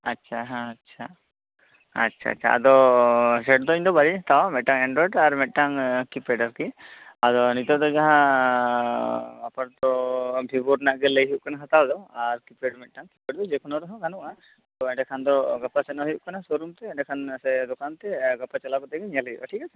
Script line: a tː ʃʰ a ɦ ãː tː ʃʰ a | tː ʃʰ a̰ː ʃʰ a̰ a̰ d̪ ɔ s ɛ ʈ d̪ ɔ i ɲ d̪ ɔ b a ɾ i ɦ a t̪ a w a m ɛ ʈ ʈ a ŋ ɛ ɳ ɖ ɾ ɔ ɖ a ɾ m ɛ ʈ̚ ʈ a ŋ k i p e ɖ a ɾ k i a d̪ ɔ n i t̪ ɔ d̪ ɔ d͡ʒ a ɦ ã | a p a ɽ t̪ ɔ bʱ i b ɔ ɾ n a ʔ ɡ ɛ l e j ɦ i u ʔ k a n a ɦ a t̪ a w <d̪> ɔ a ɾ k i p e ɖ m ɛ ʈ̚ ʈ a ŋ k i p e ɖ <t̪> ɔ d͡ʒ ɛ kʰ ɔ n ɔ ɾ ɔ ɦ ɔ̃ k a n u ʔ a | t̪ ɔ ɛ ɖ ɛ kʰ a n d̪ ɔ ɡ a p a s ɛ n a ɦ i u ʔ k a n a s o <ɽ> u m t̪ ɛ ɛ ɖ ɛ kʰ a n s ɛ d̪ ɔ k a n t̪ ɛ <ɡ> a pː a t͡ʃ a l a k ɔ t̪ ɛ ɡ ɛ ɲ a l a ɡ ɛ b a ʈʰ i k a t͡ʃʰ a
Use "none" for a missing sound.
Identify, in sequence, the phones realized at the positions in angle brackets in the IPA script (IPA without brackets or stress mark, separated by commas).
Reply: d̪, d̪, ɾ, ɡ